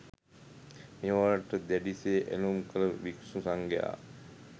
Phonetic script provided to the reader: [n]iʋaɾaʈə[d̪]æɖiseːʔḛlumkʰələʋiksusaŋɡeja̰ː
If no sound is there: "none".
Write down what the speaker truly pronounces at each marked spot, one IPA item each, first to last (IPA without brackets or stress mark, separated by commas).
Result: m, d̪